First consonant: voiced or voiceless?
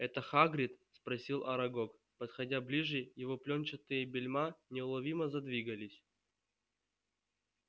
voiceless